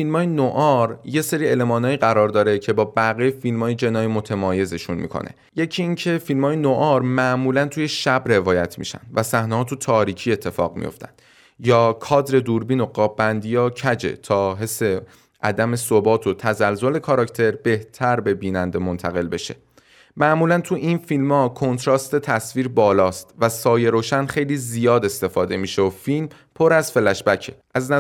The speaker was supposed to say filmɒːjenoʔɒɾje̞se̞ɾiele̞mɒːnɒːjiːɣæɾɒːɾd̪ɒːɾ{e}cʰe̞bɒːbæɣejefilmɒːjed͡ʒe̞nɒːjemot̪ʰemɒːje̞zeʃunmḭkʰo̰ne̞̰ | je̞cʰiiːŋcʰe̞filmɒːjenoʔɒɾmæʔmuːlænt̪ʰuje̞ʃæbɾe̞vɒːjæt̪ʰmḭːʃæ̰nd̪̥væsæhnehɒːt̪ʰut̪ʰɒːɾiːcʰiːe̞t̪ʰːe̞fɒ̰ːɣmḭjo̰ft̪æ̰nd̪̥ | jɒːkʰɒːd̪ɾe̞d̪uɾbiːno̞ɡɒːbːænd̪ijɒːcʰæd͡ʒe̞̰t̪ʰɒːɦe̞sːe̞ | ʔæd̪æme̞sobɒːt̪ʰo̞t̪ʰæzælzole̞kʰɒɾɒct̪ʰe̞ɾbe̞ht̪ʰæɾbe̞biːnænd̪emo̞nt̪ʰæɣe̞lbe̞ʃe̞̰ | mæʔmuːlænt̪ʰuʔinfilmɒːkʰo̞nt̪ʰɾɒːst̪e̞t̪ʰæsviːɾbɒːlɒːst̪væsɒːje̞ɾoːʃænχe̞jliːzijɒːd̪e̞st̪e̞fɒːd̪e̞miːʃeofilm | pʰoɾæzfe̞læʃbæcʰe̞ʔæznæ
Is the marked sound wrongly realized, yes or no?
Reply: no